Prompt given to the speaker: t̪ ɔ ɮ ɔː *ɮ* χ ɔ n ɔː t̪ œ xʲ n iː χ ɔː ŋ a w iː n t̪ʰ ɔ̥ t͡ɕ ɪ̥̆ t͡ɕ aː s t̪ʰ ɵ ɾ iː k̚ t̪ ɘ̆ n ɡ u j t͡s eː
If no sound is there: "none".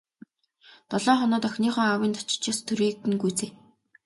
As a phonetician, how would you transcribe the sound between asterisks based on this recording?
none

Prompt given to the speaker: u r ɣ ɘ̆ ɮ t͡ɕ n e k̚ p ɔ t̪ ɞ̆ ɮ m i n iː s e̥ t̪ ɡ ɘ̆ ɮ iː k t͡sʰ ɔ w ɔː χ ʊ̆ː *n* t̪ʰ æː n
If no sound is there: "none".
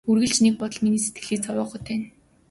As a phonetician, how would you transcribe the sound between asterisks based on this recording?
none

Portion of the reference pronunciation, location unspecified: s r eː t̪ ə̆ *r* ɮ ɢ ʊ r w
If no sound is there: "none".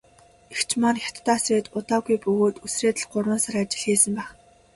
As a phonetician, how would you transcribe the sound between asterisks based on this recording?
none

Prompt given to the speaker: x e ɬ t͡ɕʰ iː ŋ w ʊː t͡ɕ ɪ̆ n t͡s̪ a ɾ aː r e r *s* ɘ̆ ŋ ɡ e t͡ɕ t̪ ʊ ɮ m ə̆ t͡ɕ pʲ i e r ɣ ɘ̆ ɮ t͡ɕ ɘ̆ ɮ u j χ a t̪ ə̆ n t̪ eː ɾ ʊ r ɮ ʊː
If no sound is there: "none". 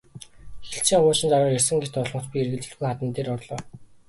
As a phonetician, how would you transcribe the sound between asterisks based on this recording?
s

